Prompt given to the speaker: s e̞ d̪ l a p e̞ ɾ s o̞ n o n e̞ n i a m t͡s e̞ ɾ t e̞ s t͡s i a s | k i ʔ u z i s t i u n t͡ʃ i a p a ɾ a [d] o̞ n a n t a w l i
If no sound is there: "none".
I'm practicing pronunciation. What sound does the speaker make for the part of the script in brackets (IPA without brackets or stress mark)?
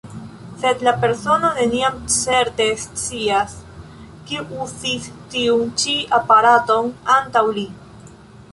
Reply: t